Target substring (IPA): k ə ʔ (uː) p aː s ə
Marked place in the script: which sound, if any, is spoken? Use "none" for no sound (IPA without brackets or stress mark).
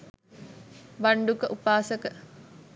u